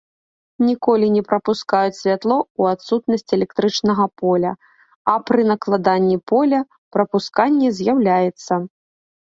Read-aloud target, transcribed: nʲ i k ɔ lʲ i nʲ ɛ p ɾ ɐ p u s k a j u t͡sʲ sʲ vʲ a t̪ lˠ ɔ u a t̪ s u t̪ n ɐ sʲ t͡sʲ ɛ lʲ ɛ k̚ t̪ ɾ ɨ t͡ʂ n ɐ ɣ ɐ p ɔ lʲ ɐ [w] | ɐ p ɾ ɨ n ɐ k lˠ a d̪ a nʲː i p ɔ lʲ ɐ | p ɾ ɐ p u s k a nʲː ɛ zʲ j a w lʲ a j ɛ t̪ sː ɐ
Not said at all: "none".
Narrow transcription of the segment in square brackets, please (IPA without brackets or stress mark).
none